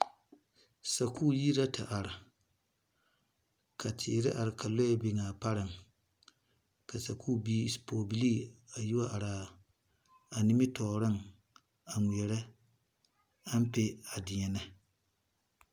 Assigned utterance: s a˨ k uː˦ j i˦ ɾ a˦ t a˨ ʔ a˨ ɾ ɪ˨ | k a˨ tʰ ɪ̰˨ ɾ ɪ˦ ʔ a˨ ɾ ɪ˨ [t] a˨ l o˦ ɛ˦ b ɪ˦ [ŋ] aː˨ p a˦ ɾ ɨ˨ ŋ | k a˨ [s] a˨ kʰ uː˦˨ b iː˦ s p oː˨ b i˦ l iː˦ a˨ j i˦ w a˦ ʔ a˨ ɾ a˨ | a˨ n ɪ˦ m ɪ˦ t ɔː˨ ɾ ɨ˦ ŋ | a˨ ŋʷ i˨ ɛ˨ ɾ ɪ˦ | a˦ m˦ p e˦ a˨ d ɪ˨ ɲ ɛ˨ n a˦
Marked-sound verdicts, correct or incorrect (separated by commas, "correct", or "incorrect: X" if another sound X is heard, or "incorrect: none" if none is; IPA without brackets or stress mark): incorrect: k, correct, correct